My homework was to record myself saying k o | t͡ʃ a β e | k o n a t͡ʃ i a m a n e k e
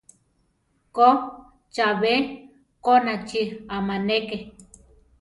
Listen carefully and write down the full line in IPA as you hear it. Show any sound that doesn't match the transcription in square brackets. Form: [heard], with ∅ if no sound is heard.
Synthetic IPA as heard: k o | t͡ʃ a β e | k o n a t͡ʃ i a m a n e k e